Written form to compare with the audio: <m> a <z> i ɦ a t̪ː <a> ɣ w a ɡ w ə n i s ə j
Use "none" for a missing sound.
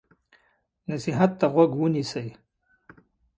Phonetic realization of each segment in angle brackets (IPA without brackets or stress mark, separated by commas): n, s, a